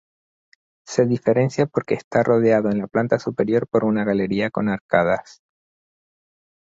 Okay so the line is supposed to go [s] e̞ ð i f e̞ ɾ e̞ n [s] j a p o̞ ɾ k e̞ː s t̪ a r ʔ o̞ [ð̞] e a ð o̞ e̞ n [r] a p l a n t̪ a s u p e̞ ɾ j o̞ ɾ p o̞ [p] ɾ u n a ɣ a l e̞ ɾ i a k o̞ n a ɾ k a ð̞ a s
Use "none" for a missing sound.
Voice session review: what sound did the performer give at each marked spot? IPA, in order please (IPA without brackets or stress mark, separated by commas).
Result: s, s, ð̞, l, none